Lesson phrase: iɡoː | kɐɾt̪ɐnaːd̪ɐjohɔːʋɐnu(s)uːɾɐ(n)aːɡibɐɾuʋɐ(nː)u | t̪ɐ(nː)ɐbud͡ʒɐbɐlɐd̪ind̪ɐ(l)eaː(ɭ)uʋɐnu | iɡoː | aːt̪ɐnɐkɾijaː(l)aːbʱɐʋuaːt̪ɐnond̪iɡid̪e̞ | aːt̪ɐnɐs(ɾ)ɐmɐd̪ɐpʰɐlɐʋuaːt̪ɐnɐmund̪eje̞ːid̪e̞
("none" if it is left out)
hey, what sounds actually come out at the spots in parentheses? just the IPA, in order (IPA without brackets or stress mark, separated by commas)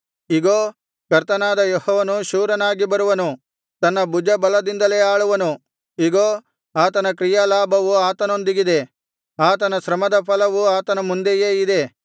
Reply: ʃ, n, n, nː, l, ɭ, l, ɾ